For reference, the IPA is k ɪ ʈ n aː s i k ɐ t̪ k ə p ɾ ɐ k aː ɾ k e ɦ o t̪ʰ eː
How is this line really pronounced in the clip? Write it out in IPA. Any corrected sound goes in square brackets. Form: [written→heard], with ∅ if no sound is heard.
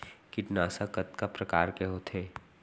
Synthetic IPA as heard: k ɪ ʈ n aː s [i→a] k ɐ t̪ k [ə→a] p ɾ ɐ k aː ɾ k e ɦ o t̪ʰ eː